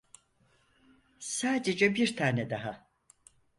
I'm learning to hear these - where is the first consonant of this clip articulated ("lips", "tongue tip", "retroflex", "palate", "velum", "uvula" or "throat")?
tongue tip